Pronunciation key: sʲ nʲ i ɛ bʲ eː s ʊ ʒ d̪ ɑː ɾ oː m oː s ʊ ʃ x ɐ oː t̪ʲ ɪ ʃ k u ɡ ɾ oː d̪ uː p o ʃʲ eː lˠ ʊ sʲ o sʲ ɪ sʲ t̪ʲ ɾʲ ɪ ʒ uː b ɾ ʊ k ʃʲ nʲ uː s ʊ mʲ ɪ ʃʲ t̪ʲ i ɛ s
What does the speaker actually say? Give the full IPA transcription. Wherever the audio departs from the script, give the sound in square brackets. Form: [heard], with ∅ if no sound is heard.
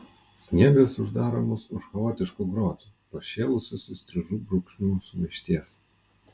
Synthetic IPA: sʲ nʲ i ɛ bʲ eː s ʊ ʒ d̪ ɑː ɾ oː m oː s ʊ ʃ x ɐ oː t̪ʲ ɪ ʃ k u ɡ ɾ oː [t̪] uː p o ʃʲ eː lˠ ʊ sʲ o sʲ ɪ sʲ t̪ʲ ɾʲ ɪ ʒ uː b ɾ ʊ k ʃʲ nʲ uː s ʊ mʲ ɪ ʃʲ t̪ʲ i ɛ s